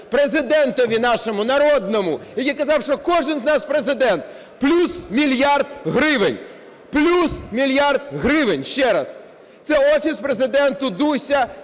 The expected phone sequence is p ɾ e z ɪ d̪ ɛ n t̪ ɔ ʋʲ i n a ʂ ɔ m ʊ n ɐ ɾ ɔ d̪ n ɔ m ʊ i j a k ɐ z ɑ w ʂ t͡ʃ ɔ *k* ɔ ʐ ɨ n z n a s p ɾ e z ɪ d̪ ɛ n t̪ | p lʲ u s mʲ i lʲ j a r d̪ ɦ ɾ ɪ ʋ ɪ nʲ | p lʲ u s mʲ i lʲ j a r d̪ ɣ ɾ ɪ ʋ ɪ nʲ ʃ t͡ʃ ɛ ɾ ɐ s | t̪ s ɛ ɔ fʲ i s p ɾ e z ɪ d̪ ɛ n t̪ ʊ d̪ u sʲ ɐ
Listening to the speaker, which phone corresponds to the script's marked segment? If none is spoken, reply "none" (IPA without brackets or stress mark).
k